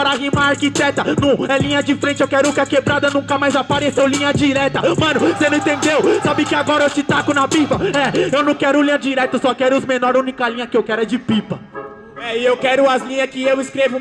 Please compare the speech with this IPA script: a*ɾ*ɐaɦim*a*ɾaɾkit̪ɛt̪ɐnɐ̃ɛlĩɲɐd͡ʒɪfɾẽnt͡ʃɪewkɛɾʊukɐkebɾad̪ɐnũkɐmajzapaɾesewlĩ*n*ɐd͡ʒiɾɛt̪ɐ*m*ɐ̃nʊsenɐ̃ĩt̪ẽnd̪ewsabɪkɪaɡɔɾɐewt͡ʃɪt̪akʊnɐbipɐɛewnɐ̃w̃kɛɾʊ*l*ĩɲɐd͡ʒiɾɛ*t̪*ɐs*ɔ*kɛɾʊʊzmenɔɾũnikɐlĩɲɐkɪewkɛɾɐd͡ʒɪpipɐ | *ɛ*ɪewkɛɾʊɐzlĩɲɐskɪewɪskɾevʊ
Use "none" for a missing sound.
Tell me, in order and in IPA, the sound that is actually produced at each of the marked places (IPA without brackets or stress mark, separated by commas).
ɾ, a, ɲ, m, l, t̪, ɔ, ɛ